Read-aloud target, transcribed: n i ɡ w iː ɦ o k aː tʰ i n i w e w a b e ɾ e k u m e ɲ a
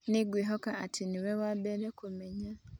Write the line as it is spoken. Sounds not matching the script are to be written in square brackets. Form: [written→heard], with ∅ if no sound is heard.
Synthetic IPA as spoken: n i ɡ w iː ɦ o k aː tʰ i n i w e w a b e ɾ e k u m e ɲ a